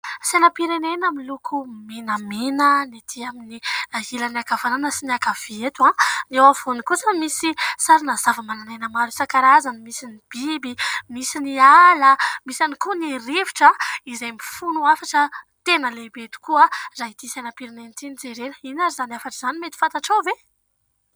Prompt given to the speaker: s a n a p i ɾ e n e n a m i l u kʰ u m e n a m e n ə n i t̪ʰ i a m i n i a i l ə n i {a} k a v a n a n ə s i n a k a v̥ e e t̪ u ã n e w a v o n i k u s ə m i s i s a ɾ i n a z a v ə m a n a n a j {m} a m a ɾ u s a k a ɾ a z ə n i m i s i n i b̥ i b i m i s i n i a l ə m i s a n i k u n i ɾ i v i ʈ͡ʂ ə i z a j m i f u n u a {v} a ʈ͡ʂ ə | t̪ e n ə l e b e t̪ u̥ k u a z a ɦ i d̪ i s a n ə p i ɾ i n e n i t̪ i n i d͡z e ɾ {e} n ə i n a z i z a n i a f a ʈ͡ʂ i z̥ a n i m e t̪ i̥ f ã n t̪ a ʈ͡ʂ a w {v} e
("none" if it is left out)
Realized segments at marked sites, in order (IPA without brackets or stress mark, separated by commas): a, n, f, e, v